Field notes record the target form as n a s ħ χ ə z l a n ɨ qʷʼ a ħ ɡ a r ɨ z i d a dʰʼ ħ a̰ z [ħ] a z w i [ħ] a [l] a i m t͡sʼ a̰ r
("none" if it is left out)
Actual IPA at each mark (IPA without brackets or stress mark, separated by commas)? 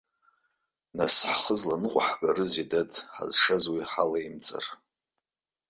ʂ, ħ, l